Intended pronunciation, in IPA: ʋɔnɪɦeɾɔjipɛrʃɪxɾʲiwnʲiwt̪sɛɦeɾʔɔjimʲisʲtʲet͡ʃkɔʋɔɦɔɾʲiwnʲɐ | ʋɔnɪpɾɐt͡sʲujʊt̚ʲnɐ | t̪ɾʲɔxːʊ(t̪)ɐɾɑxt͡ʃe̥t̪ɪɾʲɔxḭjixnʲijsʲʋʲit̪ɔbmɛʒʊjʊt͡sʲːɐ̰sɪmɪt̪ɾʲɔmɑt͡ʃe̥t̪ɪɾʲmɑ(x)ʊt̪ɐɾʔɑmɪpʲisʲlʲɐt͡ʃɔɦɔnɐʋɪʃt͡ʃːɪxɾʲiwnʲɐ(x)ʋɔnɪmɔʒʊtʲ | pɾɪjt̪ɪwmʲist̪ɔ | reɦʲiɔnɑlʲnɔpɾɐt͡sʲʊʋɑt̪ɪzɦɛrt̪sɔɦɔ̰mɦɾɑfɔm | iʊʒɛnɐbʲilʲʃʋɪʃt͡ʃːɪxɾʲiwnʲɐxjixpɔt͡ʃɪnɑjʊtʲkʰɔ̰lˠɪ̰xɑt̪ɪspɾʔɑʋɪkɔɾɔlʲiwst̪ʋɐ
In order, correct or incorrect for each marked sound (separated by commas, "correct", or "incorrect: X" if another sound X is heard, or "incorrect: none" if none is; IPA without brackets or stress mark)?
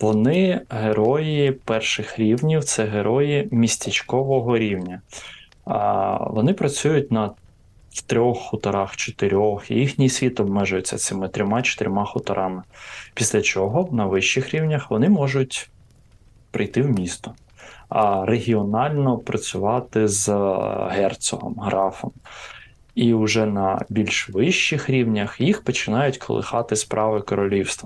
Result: correct, correct, correct